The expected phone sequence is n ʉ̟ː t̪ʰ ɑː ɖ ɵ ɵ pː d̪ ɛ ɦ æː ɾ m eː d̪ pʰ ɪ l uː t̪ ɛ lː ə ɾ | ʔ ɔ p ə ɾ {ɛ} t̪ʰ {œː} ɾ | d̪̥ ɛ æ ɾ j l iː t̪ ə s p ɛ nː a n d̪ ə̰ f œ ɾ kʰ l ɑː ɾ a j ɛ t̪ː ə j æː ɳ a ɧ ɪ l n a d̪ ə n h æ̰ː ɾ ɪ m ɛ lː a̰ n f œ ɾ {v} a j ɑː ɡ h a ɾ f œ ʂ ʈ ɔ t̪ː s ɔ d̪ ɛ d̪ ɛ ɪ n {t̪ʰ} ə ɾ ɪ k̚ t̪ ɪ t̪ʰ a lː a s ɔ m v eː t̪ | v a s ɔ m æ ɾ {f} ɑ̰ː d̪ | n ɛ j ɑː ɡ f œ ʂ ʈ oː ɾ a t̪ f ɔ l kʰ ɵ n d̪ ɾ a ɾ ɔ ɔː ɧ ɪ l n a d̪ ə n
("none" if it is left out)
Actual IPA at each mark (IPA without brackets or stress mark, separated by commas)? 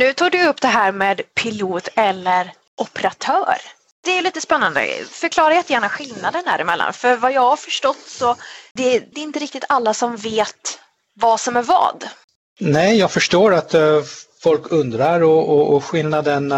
a, œː, v, t̪, v